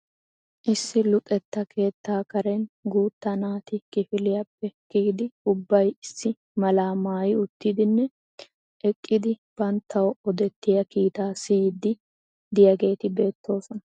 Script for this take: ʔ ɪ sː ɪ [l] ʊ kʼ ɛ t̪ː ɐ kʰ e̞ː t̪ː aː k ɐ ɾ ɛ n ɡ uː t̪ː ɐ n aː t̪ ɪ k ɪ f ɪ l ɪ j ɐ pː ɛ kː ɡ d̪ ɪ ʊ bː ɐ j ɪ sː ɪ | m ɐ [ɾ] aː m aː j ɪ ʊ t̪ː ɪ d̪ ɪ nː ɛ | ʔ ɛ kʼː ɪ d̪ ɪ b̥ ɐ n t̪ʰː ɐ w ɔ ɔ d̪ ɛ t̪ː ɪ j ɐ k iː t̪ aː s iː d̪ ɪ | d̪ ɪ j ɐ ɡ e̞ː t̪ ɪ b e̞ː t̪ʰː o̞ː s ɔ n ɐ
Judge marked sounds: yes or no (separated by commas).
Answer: yes, no